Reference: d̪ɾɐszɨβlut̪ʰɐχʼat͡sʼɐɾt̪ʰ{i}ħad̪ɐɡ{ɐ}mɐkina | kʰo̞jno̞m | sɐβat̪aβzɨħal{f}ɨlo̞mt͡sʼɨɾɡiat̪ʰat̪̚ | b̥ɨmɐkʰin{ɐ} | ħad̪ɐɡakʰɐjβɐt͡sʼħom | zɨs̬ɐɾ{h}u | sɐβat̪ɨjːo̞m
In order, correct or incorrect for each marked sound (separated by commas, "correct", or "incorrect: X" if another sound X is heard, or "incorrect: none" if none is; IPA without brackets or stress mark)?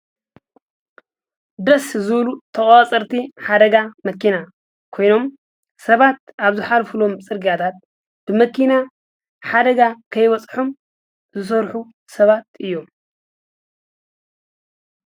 correct, incorrect: a, correct, incorrect: a, incorrect: ħ